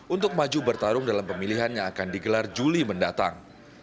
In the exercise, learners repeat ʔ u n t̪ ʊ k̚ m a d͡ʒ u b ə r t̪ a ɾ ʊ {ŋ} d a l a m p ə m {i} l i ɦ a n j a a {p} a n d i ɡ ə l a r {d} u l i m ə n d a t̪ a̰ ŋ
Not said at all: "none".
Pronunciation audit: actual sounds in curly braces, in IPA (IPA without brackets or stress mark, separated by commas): ŋ, i, k, d͡ʒ